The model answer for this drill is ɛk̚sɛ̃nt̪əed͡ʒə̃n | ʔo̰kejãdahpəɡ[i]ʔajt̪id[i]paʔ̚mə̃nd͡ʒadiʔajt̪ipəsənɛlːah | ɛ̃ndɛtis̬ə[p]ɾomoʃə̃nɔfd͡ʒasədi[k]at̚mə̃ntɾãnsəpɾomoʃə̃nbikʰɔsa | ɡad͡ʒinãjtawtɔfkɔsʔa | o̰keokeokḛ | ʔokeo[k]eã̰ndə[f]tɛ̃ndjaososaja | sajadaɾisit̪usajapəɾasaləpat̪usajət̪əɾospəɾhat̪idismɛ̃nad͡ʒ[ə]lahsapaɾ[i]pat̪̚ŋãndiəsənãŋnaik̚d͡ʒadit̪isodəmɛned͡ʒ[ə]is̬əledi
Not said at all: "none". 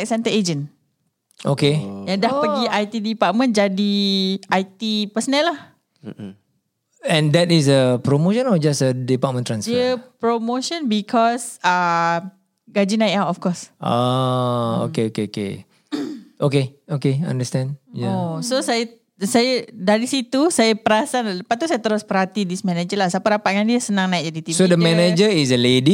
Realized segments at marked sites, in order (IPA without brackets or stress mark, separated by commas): i, i, p, p, k, s, ə, a, ə